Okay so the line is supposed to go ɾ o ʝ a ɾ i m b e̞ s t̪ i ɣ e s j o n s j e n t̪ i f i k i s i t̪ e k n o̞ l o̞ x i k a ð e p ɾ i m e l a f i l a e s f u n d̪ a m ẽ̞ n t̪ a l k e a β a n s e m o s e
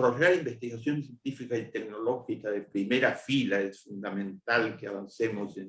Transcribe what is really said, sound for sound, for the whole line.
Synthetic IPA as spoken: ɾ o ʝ a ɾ i m b e̞ s t̪ i ɣ a s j o n s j e n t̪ i f i k a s i t̪ e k n o̞ l o̞ x i k a ð e p ɾ i m e ɾ a f i l a e s f u n d̪ a m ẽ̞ n t̪ a l k e a β a n s e m o s e